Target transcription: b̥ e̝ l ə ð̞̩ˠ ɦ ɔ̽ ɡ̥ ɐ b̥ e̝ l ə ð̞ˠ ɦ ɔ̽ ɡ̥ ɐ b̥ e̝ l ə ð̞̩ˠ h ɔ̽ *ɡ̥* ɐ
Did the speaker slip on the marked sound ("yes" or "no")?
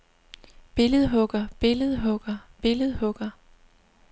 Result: no